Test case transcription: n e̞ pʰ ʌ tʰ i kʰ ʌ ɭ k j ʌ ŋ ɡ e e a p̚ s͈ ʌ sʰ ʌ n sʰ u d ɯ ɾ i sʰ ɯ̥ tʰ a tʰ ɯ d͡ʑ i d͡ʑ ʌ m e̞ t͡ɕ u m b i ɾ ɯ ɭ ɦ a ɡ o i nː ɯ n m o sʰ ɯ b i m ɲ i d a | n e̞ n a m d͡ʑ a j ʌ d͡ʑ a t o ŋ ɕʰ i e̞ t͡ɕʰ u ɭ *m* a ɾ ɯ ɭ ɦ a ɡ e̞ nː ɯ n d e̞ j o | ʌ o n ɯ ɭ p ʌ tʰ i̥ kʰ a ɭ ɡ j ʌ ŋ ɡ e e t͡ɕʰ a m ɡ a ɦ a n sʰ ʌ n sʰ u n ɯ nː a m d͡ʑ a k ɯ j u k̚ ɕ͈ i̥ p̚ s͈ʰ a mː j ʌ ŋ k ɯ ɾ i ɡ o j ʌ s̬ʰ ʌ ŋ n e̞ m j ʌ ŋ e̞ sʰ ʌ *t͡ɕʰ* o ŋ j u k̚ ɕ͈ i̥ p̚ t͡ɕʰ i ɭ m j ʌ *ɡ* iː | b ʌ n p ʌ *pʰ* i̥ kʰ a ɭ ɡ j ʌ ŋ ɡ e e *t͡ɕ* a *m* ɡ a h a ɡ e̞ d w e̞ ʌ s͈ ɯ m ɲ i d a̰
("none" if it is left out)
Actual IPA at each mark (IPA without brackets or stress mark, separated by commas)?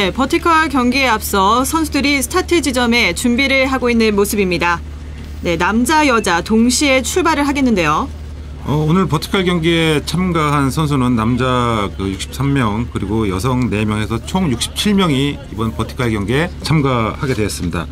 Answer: b, t͡ɕʰ, ŋ, tʰ, t͡ɕʰ, m